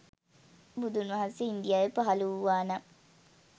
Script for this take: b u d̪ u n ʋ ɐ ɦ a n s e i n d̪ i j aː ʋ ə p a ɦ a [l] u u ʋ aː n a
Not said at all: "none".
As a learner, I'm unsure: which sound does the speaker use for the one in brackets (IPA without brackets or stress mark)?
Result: l